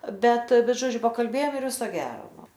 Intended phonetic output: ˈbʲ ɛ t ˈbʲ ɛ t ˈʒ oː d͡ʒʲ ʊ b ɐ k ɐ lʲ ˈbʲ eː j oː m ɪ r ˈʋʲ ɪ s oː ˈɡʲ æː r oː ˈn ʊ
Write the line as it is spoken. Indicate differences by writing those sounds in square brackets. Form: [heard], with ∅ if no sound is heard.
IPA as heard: ˈbʲ ɛ t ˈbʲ ɛ t ˈʒ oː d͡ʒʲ ʊ [p] ɐ k ɐ lʲ ˈbʲ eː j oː m ɪ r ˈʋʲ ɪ s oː ˈɡʲ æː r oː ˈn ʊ